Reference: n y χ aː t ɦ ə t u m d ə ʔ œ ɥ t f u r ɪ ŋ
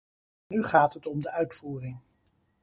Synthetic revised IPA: n y χ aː t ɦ ə t ɔ m d ə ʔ œ ɥ t f uː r ɪ ŋ